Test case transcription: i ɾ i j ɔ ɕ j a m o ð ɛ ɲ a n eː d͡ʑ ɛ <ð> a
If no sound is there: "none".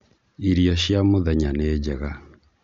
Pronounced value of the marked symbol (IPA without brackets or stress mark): ɣ